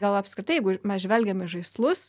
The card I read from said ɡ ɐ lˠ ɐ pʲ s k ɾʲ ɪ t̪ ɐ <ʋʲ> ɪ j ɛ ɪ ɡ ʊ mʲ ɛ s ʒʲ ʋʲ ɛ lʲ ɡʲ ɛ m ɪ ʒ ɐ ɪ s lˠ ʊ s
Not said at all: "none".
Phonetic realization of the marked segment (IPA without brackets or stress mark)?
none